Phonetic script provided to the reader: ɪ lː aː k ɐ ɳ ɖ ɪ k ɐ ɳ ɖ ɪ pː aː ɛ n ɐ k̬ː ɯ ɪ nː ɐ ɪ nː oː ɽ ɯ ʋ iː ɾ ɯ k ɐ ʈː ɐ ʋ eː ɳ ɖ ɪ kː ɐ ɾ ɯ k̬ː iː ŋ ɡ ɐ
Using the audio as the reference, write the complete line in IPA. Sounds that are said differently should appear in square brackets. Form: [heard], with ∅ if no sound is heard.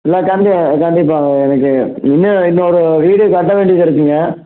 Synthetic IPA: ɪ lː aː k ɐ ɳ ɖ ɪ k ɐ ɳ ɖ ɪ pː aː ɛ n ɐ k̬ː ɯ ɪ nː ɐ ɪ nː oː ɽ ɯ ʋ iː [ɽ] ɯ k ɐ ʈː ɐ ʋ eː ɳ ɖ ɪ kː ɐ ɾ ɯ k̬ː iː ŋ ɡ ɐ